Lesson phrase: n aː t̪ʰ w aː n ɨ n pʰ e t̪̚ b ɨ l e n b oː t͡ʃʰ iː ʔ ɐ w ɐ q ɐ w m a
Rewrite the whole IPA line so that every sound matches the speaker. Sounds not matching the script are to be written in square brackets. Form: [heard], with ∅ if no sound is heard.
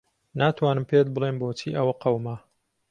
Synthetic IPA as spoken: n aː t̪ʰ w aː n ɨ [m] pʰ e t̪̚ b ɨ l e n b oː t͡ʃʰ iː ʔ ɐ w ɐ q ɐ w m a